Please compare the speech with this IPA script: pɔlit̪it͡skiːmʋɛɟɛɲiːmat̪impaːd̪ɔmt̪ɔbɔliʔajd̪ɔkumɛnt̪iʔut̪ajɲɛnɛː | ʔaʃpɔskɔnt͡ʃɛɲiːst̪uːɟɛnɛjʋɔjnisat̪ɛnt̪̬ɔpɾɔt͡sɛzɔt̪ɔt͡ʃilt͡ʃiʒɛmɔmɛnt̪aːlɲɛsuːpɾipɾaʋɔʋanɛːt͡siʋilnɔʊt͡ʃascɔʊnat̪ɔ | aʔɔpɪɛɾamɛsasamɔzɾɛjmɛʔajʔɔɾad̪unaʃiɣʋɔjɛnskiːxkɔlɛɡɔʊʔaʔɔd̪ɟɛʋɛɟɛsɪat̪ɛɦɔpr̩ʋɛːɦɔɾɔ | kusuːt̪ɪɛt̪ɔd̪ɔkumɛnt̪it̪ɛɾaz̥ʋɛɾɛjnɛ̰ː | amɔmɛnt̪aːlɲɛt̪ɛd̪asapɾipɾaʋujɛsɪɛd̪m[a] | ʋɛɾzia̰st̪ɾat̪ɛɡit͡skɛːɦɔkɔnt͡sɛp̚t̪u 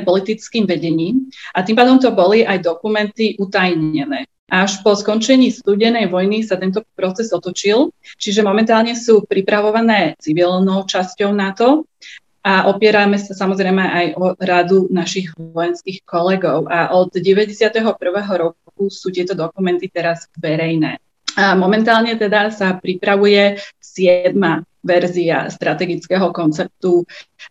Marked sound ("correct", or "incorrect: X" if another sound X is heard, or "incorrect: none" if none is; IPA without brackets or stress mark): correct